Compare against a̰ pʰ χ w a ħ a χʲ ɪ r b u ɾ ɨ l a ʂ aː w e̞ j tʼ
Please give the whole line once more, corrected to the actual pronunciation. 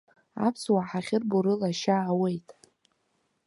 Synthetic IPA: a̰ pʰ s w a ħ a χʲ ɪ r b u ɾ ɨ l a ʃ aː w e̞ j tʼ